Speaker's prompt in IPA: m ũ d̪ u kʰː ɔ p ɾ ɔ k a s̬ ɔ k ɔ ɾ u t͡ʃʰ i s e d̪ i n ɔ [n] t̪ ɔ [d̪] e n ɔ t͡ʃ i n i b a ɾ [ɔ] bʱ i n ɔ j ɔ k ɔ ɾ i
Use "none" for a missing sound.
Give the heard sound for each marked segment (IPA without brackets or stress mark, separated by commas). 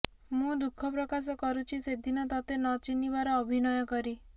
none, t̪, ɔː